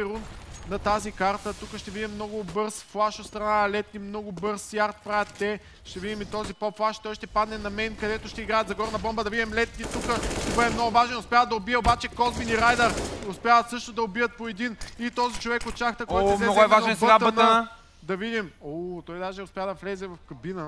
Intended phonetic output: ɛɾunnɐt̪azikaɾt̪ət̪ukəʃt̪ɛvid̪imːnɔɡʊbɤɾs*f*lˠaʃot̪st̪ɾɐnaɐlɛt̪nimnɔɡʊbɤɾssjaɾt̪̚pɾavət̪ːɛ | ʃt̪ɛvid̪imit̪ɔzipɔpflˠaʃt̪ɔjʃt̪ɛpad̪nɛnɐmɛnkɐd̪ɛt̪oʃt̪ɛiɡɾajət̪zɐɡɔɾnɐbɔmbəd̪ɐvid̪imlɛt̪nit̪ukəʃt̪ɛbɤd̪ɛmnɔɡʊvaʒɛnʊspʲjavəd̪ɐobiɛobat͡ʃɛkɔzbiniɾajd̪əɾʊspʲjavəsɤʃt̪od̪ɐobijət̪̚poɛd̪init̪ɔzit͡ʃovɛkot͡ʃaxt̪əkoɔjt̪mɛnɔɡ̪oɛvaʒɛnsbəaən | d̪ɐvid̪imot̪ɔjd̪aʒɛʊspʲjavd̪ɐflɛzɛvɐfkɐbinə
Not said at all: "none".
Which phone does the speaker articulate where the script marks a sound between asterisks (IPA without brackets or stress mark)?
f